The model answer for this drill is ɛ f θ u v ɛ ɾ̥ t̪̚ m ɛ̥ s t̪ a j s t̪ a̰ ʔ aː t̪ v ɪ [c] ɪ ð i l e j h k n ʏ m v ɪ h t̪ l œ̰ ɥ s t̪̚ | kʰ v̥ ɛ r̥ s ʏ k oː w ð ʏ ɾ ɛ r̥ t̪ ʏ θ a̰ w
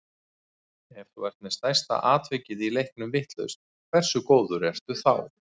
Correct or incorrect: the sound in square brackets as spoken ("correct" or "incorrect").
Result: correct